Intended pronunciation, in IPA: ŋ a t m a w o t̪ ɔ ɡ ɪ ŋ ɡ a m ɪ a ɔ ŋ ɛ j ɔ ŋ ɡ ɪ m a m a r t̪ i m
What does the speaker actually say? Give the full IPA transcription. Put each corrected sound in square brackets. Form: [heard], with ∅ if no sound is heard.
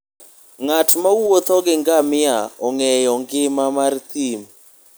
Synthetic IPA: ŋ a t m a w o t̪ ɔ ɡ ɪ ŋ ɡ a m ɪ a ɔ ŋ ɛ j ɔ ŋ ɡ ɪ m a m a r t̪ i m